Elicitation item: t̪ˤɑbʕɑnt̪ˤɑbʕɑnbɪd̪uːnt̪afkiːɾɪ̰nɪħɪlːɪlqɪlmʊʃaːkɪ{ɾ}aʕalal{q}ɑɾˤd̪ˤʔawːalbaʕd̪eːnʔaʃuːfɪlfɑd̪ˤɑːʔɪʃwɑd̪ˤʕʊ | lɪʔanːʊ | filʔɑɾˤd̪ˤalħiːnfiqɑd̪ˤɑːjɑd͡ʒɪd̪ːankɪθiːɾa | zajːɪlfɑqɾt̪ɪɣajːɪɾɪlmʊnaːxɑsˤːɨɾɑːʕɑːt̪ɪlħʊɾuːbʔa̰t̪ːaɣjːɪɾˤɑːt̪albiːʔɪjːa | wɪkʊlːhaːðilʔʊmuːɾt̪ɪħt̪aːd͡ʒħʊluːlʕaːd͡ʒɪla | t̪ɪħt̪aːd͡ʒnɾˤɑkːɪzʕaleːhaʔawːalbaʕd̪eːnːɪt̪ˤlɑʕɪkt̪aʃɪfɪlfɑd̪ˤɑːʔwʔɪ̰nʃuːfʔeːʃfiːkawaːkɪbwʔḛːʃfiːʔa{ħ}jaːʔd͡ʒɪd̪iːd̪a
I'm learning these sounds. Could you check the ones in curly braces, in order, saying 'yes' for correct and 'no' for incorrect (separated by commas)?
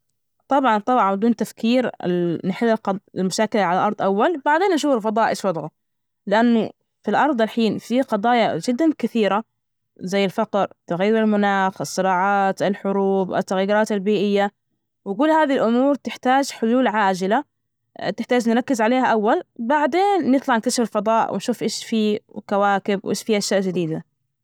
no, no, no